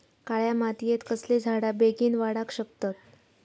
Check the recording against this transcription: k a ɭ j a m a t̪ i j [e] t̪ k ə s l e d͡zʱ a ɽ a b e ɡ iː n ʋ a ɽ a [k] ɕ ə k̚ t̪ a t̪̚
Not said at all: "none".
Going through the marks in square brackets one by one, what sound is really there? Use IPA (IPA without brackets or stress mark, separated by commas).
e, k